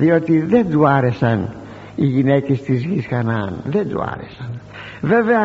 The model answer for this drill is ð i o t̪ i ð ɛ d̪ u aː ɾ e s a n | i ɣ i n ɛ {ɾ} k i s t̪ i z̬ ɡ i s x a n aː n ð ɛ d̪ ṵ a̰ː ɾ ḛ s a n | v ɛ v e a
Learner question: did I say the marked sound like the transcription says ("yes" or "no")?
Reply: no